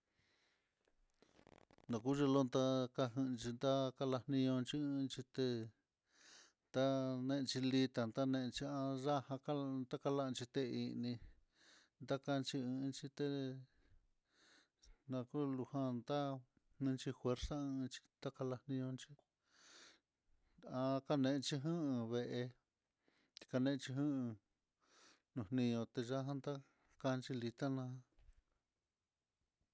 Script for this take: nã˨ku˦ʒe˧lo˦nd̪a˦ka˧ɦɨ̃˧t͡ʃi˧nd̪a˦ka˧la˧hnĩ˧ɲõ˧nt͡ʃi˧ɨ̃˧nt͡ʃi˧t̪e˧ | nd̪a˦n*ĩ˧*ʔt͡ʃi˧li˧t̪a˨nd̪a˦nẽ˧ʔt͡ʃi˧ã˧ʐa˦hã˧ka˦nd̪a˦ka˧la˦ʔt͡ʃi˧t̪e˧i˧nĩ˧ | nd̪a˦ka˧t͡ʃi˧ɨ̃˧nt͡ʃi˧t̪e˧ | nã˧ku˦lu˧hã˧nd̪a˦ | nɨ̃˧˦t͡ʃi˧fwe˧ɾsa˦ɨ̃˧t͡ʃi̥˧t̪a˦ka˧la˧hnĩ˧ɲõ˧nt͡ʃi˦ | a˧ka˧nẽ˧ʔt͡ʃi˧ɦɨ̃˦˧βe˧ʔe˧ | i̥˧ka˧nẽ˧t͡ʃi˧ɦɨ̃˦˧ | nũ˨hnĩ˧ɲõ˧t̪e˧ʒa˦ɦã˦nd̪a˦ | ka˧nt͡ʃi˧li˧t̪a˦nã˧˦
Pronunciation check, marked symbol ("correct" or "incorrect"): incorrect